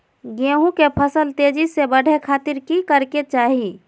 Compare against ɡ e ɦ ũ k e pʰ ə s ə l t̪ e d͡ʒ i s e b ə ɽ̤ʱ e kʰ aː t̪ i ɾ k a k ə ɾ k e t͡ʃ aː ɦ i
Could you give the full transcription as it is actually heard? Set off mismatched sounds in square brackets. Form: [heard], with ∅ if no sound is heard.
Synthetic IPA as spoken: ɡ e ɦ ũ k e pʰ ə s ə l t̪ e d͡ʒ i s e b ə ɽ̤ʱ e kʰ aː t̪ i ɾ k [i] k ə ɾ k e t͡ʃ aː ɦ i